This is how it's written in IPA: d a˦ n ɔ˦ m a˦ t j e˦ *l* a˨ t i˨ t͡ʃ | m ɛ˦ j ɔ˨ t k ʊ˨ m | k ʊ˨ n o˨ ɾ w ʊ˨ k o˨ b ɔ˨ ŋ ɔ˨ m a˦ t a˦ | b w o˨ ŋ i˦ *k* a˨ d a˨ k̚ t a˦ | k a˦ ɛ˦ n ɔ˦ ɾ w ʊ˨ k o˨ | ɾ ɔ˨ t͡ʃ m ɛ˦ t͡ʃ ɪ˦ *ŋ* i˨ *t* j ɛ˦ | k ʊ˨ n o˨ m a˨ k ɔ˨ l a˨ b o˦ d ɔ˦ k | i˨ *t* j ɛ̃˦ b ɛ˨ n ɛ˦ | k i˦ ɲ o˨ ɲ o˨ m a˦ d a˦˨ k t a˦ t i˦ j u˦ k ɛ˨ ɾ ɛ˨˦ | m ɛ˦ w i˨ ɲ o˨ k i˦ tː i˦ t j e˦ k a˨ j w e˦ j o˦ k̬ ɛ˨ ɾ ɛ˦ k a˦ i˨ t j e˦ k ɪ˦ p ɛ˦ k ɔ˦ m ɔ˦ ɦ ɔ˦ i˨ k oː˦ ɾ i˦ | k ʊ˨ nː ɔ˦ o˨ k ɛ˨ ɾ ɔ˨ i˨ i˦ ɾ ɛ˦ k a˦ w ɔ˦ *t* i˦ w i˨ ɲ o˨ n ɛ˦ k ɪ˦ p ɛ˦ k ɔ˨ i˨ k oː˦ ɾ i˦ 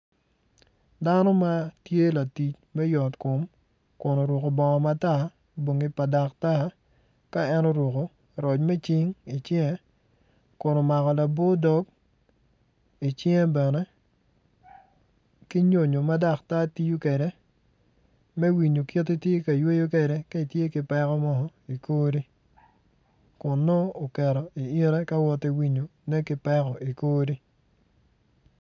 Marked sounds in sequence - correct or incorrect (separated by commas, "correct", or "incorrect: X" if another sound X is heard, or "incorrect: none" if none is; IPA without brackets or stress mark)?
correct, incorrect: p, correct, incorrect: t͡ʃ, incorrect: t͡ʃ, correct